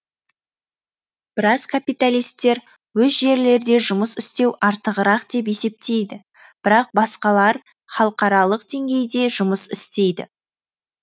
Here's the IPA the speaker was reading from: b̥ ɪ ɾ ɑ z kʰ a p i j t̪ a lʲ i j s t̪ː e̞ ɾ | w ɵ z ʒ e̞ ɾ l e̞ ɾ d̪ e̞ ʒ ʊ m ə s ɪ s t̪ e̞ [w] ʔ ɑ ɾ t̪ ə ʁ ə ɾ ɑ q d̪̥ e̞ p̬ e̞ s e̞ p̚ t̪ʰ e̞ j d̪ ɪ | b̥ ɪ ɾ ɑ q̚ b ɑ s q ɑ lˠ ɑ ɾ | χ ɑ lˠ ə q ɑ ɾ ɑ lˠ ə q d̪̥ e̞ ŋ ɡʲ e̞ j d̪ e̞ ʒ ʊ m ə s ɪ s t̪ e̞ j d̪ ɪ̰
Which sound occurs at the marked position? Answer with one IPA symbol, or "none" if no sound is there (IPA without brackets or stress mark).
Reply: w